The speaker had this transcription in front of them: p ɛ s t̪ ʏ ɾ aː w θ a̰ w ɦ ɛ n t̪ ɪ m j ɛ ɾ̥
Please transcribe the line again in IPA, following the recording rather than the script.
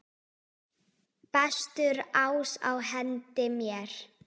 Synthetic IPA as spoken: p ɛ s t̪ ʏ ɾ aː w s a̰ w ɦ ɛ n t̪ ɪ m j ɛ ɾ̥